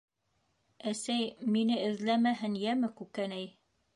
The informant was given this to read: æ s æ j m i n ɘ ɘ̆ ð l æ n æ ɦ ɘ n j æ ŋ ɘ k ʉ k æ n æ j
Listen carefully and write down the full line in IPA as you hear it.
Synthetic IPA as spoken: æ s æ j m i n ɘ ɘ̆ ð l æ m æ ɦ ɘ n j æ m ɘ k ʉ k æ n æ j